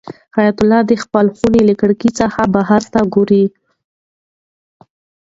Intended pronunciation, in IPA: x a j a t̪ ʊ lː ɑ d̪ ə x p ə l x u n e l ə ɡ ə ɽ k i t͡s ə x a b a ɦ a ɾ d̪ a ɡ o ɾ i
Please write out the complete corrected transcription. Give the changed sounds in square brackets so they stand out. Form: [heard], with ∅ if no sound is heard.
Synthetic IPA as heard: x a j a t̪ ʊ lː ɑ d̪ ə x p ə l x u n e l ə [k] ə ɽ k i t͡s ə x a b a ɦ a ɾ [t̪] a ɡ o ɾ i